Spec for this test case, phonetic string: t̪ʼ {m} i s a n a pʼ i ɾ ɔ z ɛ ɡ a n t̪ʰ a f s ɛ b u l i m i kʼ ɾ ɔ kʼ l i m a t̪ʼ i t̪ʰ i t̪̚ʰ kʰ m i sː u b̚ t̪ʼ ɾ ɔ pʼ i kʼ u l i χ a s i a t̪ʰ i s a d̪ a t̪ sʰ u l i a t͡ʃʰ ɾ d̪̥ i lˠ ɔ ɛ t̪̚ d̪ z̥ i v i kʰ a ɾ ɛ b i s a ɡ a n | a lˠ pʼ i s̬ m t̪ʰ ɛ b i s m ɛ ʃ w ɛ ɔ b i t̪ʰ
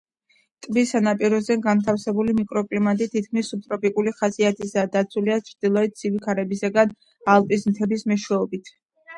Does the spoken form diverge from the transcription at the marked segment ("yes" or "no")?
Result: yes